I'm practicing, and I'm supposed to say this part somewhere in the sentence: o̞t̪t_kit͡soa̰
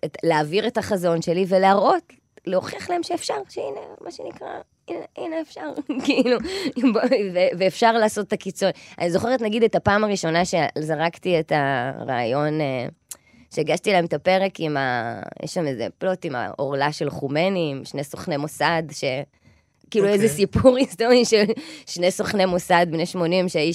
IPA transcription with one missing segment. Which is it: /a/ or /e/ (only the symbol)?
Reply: a